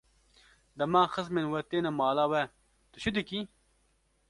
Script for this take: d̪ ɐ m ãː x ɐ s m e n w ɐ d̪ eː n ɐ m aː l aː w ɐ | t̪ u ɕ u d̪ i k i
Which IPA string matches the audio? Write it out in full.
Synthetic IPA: d̪ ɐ m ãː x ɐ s m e n w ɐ t̪ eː n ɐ m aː l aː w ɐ | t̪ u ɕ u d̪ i k i